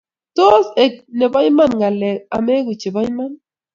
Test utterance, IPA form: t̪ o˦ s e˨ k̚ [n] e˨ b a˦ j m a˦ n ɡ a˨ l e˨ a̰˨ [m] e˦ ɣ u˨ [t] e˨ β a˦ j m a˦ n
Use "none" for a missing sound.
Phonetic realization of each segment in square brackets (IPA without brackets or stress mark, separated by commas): n, m, t͡ʃ